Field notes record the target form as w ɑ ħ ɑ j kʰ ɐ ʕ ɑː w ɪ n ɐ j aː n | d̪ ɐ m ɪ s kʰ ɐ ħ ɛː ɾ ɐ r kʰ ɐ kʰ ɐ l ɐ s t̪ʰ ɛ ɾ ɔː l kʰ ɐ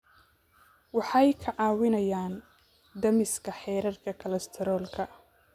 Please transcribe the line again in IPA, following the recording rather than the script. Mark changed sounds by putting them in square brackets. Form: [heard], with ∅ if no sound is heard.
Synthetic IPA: w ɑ ħ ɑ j kʰ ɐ ʕ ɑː w ɪ n ɐ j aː n | d̪ ɐ m ɪ s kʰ ɐ ħ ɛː ɾ ɐ r kʰ ɐ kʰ ɐ l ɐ s t̪ʰ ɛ ɾ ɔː l kʰ ɐ